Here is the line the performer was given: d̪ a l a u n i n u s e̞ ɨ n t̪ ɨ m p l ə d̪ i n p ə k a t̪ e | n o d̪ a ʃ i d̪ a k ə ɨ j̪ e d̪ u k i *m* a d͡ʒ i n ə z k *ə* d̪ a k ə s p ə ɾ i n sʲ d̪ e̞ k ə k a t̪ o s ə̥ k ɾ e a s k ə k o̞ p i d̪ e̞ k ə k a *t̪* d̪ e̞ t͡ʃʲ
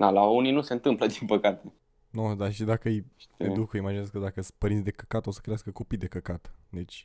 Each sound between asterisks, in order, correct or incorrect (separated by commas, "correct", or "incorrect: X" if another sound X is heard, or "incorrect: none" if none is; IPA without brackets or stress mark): correct, correct, correct